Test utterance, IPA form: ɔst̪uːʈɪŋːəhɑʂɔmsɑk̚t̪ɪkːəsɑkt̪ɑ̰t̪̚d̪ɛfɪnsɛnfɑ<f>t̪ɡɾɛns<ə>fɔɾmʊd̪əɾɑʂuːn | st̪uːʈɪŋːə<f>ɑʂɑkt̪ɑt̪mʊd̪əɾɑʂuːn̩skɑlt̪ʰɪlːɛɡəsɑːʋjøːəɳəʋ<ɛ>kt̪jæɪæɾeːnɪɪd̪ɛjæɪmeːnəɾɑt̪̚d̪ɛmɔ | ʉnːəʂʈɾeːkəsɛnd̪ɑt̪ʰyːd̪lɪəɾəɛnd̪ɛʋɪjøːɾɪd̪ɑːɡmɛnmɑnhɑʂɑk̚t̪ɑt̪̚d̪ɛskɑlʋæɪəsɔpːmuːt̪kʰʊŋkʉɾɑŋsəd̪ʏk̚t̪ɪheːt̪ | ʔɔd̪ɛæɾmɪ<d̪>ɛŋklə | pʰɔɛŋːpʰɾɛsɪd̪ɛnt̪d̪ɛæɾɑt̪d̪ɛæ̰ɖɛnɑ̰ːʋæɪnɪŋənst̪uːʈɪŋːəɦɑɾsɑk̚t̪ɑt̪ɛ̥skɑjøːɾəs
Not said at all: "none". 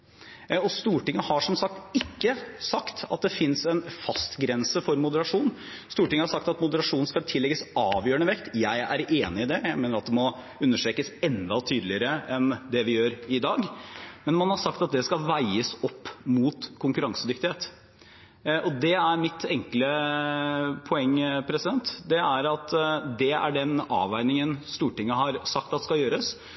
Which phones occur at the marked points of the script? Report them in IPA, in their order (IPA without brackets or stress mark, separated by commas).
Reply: s, ə, h, ɛ, t̪